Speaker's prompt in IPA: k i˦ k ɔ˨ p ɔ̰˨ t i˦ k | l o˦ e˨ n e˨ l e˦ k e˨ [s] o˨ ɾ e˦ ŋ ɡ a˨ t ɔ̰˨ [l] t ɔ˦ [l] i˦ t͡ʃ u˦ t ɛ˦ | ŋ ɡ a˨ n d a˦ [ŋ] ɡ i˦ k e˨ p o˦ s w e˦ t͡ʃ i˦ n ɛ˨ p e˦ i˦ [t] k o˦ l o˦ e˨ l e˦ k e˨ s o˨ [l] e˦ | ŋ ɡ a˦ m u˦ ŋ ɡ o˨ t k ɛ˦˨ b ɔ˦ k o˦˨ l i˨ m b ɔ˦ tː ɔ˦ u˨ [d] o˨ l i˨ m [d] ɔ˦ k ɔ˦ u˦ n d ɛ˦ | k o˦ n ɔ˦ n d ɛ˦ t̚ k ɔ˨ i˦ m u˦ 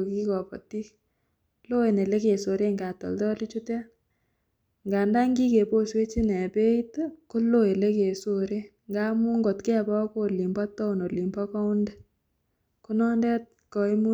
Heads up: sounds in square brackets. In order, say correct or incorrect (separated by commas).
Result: correct, correct, correct, correct, correct, incorrect, incorrect, incorrect